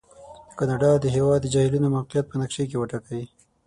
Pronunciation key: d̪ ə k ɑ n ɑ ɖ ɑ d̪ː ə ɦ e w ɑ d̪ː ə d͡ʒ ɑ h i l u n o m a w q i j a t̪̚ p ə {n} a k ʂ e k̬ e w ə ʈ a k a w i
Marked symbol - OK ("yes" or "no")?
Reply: yes